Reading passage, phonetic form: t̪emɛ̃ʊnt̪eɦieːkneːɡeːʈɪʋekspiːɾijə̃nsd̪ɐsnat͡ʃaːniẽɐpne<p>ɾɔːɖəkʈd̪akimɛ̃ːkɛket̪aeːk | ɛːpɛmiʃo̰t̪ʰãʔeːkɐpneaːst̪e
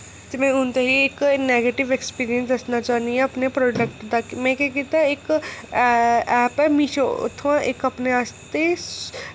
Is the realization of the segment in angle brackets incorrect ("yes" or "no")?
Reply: no